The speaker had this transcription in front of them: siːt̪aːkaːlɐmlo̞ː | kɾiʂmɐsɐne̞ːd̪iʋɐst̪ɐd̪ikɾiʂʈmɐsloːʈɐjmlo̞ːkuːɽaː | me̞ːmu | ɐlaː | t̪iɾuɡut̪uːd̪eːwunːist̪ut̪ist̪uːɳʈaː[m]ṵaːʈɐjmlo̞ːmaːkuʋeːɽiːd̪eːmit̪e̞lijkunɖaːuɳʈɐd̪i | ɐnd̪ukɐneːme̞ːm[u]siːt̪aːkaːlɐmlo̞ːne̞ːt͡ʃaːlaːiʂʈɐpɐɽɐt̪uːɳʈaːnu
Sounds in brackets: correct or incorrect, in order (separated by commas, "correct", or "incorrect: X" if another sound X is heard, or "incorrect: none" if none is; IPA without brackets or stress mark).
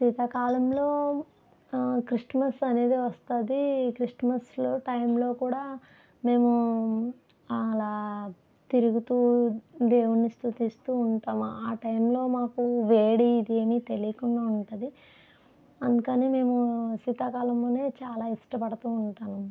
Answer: correct, correct